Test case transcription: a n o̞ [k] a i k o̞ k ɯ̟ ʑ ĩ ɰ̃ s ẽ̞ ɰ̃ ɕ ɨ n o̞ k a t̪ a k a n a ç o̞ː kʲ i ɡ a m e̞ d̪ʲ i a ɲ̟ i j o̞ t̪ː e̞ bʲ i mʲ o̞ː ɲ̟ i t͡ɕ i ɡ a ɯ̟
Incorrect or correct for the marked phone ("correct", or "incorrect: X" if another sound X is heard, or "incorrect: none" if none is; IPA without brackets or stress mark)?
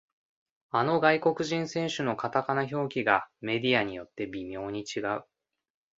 incorrect: ɡ